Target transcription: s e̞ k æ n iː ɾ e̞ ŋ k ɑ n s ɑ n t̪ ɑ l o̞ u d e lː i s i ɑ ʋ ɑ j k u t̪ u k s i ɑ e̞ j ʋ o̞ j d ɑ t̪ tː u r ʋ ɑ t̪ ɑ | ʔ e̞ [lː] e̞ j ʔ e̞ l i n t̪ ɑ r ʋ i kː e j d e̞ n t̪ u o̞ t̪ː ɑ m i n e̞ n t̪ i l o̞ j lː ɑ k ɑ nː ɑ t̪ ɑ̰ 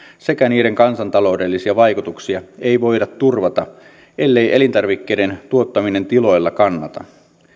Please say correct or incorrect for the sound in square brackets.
correct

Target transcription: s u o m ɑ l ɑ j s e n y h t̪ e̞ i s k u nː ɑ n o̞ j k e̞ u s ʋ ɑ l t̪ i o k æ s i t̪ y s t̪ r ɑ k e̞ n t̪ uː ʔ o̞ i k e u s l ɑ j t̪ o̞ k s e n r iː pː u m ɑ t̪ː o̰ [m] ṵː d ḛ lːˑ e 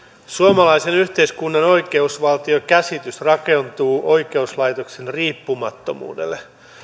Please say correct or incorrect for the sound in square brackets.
correct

